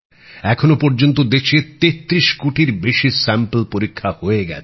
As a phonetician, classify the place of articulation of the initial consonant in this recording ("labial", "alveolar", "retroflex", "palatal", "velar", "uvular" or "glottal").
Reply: velar